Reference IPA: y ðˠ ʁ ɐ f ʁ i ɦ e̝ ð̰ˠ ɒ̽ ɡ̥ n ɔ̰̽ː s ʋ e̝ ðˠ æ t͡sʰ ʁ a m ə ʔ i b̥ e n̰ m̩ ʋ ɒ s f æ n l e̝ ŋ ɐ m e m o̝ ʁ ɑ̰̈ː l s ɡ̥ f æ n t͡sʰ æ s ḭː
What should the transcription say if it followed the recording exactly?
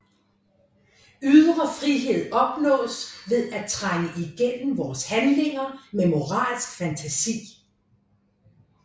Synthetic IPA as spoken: y ðˠ ʁ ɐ f ʁ i ɦ e̝ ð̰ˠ ɒ̽ b̥ n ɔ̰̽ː s ʋ e̝ ðˠ æ t͡sʰ ʁ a ŋ ə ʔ i ɡ̥ e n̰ m̩ ʋ ɒː s h æ n l e̝ ŋ ɐ m e m o̝ ʁ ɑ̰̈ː l s ɡ̥ f æ n t͡sʰ æ s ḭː